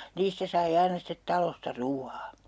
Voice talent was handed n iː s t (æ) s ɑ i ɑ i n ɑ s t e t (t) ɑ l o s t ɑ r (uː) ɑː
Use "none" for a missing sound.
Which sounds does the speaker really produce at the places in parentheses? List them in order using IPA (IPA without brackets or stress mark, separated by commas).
æ, t, uː